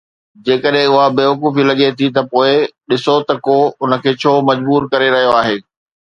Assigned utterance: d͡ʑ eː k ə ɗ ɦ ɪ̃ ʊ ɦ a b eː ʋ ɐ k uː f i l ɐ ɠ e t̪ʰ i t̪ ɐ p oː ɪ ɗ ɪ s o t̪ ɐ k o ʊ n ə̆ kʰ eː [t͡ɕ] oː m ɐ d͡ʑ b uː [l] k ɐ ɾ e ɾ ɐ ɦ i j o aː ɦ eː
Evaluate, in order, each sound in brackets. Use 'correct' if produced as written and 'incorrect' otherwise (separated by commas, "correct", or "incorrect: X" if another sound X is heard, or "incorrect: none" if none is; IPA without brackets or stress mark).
incorrect: t͡ɕʰ, incorrect: ɾ